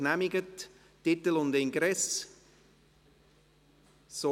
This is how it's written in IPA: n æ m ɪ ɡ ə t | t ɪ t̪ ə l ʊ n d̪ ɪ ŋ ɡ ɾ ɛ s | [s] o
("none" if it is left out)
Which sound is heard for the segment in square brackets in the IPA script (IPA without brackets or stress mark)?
s